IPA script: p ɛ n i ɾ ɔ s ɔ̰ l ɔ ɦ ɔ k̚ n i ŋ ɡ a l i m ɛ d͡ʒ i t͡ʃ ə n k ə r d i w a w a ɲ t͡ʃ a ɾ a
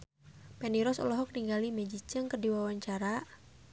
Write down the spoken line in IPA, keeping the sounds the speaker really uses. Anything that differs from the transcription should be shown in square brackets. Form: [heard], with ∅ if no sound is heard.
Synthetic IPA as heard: p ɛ n i ɾ ɔ s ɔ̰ l ɔ ɦ ɔ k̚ n i ŋ ɡ a l i m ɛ d͡ʒ i t͡ʃ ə [ŋ] k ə r d i w a w a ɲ t͡ʃ a ɾ a